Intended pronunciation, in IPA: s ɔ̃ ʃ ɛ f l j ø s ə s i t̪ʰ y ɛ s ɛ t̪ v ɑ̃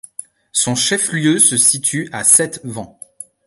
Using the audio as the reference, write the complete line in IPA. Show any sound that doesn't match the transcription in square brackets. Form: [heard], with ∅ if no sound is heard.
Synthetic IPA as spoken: s ɔ̃ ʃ ɛ f l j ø s ə s i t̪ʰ y [a] s ɛ t̪ v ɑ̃